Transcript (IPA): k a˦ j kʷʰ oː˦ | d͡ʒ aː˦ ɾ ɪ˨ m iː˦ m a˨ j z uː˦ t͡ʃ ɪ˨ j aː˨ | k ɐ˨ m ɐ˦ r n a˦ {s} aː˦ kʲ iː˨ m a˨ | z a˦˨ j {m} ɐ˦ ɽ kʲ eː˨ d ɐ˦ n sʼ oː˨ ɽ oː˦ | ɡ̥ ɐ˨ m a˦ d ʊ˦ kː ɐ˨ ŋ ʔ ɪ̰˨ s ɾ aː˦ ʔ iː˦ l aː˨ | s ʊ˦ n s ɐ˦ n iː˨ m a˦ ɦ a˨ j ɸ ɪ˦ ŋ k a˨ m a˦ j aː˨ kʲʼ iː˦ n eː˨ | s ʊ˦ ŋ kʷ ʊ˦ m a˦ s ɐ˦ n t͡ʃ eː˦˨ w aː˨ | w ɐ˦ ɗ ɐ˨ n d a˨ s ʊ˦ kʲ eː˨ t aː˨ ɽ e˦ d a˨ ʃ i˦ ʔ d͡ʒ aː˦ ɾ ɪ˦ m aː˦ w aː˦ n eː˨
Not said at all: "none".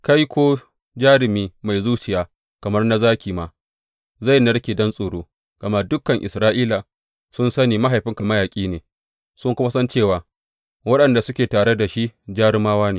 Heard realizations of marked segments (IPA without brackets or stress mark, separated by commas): z, n